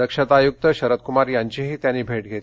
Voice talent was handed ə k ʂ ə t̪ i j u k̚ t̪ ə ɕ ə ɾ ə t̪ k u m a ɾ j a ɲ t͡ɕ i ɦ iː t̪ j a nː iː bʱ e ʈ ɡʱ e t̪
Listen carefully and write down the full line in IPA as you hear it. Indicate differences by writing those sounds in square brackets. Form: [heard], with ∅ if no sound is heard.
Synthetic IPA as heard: ə k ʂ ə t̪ [a] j u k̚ t̪ ə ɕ ə ɾ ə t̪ k u m a ɾ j a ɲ t͡ɕ i ɦ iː t̪ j a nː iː bʱ e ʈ ɡʱ e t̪